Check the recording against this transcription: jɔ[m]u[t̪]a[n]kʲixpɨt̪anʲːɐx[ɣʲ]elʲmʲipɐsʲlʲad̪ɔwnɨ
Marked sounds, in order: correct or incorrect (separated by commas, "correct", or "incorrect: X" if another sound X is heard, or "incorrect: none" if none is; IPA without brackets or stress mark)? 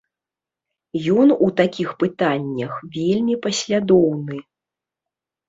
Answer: incorrect: n, correct, incorrect: none, incorrect: vʲ